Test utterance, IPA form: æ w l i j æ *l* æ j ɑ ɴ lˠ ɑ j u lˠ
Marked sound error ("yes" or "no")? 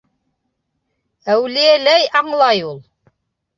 no